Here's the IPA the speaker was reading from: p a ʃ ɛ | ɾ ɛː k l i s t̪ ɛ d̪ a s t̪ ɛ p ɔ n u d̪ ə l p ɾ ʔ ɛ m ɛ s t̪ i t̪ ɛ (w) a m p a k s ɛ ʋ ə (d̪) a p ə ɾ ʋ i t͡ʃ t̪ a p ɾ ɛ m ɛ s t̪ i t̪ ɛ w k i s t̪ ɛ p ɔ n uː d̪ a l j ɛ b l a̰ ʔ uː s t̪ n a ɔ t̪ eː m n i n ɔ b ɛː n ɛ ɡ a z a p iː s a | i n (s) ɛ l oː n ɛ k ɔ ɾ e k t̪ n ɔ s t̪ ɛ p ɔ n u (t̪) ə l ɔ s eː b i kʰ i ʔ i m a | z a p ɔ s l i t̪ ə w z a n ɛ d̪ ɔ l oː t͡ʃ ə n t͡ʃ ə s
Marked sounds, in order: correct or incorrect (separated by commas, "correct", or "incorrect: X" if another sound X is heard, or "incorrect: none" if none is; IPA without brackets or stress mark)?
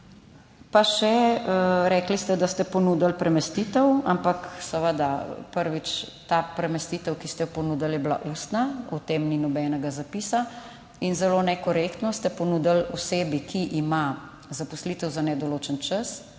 correct, correct, incorrect: z, incorrect: d̪